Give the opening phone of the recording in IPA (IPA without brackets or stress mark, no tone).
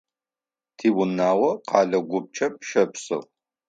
tʰ